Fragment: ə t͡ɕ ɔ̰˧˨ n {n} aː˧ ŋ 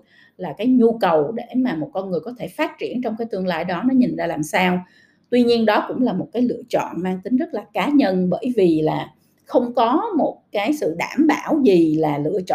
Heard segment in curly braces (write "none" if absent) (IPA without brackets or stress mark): m